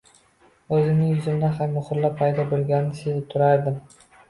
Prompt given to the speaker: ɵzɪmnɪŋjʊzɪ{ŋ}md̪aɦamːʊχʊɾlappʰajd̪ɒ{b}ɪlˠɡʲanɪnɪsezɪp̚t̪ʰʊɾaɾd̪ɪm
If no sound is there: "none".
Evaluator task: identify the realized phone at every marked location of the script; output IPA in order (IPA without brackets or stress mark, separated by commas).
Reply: none, b